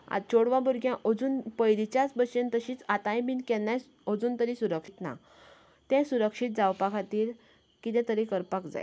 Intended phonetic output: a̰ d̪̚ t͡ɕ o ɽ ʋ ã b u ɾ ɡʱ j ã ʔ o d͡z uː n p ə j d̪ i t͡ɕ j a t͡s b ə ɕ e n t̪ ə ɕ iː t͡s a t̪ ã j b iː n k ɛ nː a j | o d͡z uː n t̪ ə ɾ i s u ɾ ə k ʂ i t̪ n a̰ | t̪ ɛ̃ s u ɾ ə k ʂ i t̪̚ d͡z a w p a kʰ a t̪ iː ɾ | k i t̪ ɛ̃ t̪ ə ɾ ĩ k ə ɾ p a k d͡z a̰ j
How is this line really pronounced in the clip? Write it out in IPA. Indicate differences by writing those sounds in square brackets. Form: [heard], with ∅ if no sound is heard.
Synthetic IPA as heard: a̰ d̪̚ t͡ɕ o ɽ ʋ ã b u ɾ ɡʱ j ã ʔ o d͡z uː n p ə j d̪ i t͡ɕ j a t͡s b ə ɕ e n t̪ ə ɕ iː t͡s a t̪ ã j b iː n k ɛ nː a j | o d͡z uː n t̪ ə ɾ i s u ɾ ə k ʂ i t̪ n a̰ | t̪ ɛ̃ s u ɾ ə k ʂ i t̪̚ d͡z a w p a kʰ a t̪ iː ɾ | k i t̪ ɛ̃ t̪ ə ɾ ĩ k ə ɾ p a k d͡z a̰ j